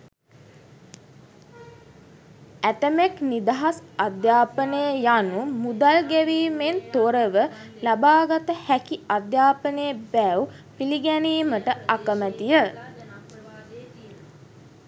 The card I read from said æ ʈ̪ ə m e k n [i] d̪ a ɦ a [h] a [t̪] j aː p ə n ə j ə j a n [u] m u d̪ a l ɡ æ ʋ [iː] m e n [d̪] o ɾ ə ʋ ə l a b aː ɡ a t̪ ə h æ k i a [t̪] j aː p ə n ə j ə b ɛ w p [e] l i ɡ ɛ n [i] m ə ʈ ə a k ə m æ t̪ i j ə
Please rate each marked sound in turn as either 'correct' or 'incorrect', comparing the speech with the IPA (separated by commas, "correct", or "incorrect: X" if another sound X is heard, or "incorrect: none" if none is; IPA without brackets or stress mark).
correct, incorrect: s, incorrect: d̪, correct, correct, incorrect: t̪, incorrect: d̪, incorrect: i, incorrect: iː